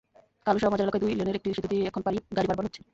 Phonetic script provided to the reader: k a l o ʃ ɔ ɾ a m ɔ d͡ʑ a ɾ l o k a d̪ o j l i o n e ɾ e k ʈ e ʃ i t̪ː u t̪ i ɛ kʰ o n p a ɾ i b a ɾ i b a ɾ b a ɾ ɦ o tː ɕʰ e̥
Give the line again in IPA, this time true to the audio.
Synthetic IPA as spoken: k a l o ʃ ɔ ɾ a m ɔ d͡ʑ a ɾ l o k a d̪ u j l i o n e ɾ e k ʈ i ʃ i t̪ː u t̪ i ɛ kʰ o n p a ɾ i ɡ a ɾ i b a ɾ b a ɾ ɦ o tː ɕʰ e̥